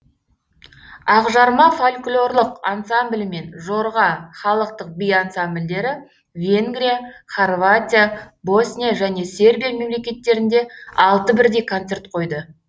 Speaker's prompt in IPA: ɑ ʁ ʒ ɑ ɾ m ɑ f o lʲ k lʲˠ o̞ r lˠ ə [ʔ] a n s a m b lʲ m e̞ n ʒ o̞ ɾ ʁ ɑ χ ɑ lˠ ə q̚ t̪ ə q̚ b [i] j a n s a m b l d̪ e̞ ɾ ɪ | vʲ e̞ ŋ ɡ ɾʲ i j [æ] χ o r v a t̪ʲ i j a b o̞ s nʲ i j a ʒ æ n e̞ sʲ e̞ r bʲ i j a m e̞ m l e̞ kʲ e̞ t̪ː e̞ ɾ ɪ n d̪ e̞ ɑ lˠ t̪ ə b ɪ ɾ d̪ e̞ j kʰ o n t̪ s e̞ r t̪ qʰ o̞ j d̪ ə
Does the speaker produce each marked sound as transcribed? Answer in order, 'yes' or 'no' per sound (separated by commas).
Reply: no, yes, no